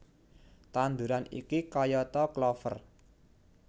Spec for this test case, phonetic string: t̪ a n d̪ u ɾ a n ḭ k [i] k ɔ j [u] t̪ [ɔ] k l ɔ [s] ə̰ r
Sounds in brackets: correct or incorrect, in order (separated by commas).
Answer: correct, incorrect, correct, incorrect